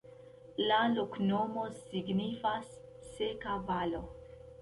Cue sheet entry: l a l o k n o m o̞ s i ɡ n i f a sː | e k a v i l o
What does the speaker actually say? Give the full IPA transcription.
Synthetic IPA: l a l o k n o m o̞ s i ɡ n i f a sː | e k a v a l o